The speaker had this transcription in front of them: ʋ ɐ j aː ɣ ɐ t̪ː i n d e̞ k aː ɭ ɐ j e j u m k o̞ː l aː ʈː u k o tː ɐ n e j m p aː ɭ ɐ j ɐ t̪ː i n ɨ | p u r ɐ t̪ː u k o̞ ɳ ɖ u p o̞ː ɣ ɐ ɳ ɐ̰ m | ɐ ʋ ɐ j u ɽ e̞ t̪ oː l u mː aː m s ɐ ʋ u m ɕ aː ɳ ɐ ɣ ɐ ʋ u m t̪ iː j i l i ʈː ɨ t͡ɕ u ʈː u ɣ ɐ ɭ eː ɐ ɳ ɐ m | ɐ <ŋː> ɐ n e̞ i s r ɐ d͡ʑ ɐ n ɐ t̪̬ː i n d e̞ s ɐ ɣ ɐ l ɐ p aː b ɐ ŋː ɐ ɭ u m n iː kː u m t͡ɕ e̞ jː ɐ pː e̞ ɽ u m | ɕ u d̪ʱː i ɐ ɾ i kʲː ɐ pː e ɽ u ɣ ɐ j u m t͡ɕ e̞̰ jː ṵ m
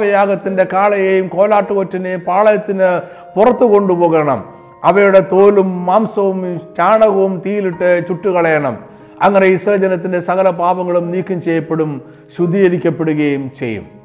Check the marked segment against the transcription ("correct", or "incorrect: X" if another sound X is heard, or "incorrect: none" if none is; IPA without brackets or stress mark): correct